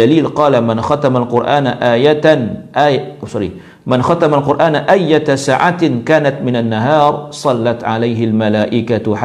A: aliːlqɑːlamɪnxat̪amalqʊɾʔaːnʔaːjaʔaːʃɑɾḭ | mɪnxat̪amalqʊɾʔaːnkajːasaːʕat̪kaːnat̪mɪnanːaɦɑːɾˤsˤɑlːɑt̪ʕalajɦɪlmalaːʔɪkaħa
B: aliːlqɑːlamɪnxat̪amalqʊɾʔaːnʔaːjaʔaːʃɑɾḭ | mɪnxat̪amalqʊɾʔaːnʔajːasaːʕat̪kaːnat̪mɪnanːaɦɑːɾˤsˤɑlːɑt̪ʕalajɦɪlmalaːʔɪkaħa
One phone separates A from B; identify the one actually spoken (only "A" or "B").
B